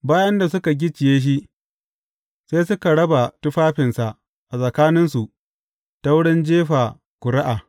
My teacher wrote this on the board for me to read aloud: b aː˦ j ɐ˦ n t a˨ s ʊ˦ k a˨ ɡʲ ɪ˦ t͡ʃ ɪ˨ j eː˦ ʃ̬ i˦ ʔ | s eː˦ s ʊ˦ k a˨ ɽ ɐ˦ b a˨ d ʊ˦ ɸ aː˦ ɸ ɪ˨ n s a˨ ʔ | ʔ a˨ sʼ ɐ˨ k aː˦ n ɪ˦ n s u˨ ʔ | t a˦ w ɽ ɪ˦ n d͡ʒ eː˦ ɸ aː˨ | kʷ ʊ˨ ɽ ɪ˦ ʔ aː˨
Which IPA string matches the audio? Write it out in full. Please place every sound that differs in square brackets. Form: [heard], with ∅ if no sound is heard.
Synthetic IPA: b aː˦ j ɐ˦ n [d] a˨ s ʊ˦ k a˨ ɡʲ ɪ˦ t͡ʃ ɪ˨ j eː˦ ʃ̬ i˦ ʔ | s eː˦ s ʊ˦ k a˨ ɽ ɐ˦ b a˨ [t] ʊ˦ ɸ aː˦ ɸ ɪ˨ n s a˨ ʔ | ʔ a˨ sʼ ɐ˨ k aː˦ n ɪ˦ n s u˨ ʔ | t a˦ w ɽ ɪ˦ n d͡ʒ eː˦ ɸ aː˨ | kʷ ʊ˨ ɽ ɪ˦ ʔ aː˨